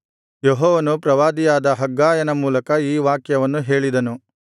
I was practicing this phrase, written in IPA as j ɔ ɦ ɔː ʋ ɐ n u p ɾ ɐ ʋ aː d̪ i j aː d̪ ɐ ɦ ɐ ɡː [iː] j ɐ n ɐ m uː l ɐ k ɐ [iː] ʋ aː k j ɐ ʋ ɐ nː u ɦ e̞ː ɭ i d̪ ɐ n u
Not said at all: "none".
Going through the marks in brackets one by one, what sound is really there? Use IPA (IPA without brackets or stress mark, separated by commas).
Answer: aː, iː